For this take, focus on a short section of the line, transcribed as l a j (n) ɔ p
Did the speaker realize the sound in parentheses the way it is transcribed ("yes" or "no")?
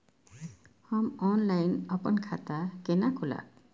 yes